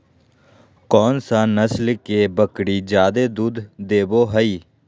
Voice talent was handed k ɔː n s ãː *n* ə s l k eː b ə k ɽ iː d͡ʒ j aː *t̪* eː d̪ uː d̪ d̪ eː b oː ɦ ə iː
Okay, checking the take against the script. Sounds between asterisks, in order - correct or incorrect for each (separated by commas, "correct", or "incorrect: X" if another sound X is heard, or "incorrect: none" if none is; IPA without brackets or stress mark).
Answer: correct, incorrect: d̪